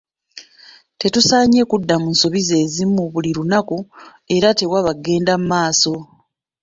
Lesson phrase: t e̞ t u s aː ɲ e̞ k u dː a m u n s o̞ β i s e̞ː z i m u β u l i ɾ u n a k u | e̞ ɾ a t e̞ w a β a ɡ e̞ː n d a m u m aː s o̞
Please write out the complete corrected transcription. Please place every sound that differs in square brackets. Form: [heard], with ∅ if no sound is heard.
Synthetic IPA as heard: t e̞ t u s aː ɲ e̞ k u dː a m u n s o̞ β i [z] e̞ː z i m u β u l i ɾ u n a k u | e̞ ɾ a t e̞ w a β a ɡ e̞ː n d a m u m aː s o̞